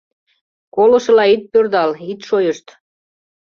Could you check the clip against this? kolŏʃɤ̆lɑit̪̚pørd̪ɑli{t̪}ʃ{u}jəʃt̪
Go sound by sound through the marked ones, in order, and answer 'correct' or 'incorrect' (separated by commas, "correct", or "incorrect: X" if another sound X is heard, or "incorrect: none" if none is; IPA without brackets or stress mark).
correct, incorrect: o